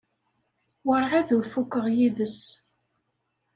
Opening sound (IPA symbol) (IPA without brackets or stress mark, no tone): w